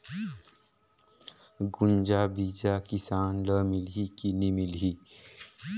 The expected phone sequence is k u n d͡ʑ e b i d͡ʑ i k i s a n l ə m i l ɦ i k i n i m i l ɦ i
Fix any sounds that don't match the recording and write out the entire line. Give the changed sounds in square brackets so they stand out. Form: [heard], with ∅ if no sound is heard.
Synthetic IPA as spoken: [ɡ] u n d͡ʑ [a] b i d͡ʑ [a] k i s a n l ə m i l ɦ i k i n i m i l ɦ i